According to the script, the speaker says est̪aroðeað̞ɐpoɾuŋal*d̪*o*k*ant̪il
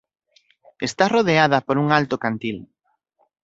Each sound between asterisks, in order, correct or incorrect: incorrect: t̪, correct

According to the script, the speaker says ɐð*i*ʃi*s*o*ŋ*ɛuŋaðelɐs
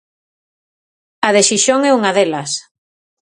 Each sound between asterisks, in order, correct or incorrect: incorrect: e, incorrect: ʃ, correct

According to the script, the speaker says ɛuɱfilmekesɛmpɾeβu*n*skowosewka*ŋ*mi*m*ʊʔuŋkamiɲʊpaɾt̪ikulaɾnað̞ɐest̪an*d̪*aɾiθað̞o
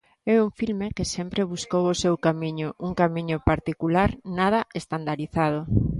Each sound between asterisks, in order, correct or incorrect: incorrect: none, incorrect: none, incorrect: ɲ, correct

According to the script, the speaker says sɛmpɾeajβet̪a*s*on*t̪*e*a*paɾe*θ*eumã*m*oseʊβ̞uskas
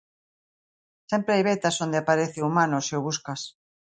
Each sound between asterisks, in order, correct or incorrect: correct, incorrect: d̪, correct, correct, incorrect: n

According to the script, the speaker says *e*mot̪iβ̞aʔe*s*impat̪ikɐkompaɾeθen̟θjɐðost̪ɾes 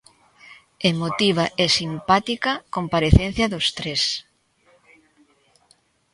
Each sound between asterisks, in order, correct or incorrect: correct, correct

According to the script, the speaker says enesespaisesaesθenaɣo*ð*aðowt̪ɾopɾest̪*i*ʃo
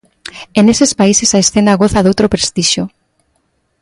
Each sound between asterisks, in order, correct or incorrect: incorrect: θ, correct

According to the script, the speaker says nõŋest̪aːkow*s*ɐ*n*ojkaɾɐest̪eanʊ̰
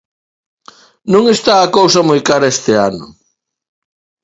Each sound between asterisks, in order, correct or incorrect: correct, incorrect: m

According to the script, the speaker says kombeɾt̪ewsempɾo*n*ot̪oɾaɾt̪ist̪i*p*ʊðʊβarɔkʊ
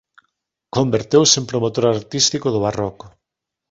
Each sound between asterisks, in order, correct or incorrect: incorrect: m, incorrect: k

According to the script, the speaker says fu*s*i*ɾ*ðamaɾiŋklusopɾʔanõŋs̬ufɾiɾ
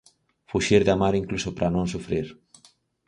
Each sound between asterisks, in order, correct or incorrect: incorrect: ʃ, correct

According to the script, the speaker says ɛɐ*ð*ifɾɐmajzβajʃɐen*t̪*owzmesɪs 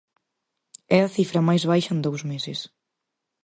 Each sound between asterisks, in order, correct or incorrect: incorrect: θ, incorrect: d̪

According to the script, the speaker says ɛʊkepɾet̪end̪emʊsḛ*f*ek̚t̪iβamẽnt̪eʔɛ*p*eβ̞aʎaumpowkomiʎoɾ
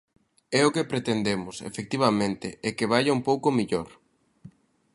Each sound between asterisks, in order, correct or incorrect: correct, incorrect: k

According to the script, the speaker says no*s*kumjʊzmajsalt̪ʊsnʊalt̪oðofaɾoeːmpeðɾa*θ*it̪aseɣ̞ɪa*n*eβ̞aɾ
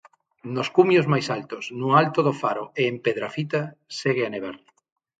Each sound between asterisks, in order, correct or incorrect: correct, incorrect: f, correct

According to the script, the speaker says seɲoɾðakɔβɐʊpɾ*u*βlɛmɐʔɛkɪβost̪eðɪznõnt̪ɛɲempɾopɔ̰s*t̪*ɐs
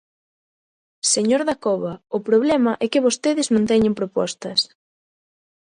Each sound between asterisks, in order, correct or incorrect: incorrect: o, correct

